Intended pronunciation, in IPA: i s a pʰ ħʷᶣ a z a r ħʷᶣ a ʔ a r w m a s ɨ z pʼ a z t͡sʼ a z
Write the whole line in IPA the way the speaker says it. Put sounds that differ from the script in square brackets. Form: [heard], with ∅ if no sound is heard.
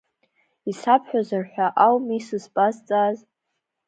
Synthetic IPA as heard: i s a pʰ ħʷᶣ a z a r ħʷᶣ a ʔ a [∅] w m [i] s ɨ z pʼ a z t͡sʼ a z